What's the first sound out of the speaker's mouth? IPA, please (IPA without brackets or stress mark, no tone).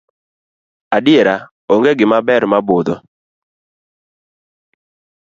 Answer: a